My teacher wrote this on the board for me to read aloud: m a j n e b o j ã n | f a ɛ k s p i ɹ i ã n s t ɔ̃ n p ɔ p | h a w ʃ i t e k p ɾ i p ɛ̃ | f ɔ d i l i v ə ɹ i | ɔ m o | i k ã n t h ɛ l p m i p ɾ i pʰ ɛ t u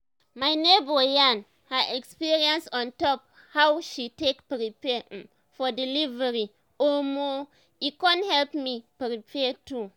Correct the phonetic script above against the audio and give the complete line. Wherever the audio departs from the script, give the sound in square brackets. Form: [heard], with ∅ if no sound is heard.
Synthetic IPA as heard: m a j n e b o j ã n | [h] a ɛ k s p i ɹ i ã n s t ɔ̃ n [t] ɔ p | h a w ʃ i t e k p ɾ i p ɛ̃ | f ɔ d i l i v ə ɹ i | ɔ m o | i k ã n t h ɛ l p m i p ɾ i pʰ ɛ t u